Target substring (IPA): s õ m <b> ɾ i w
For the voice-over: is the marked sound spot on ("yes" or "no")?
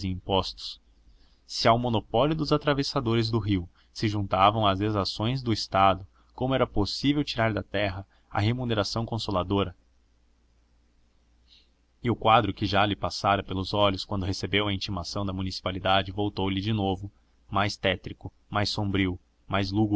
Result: yes